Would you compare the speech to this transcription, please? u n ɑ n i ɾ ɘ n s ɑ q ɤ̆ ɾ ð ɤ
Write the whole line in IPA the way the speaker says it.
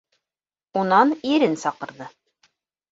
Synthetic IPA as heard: u n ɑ n i ɾ ɘ n s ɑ q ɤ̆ ɾ ð ɤ